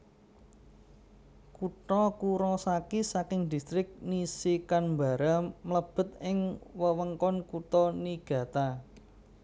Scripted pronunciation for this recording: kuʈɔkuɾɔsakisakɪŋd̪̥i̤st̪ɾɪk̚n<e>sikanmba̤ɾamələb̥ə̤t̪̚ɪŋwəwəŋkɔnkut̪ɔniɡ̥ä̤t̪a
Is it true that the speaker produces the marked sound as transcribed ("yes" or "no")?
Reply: no